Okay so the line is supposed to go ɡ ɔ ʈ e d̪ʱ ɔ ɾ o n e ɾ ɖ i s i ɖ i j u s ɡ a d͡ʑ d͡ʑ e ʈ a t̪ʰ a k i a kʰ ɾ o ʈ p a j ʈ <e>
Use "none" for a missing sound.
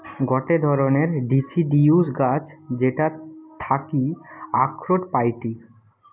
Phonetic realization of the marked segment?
i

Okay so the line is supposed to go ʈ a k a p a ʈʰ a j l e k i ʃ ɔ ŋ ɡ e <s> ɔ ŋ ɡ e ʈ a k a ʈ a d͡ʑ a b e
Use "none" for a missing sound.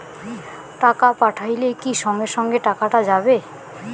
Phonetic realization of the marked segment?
ʃ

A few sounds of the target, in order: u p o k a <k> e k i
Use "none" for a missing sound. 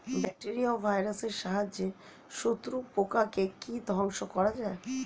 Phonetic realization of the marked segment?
k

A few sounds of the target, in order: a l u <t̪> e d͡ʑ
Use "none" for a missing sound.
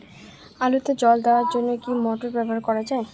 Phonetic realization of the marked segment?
t̪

